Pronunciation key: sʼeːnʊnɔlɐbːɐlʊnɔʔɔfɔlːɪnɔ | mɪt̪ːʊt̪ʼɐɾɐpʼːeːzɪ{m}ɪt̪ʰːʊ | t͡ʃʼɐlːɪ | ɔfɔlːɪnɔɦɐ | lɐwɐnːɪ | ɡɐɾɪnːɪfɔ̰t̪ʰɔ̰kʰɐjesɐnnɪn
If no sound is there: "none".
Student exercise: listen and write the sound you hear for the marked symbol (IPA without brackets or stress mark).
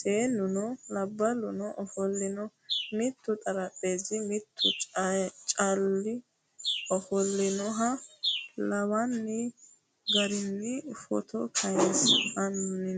m